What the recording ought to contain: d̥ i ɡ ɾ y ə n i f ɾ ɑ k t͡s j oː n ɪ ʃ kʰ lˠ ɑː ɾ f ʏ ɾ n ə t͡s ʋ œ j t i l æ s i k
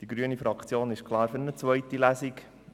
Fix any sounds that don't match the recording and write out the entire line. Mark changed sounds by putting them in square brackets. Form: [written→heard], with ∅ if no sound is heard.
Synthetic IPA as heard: d̥ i ɡ ɾ y ə n i f ɾ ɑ k t͡s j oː n ɪ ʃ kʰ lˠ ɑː ɾ f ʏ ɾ n ə t͡s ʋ œ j t i l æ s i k